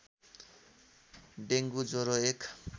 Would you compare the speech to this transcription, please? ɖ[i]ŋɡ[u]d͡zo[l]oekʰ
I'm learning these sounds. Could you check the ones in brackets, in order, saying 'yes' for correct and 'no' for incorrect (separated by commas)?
no, yes, no